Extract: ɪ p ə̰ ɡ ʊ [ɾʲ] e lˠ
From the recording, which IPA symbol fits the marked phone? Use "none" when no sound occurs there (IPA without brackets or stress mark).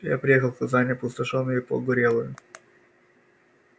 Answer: ɾʲ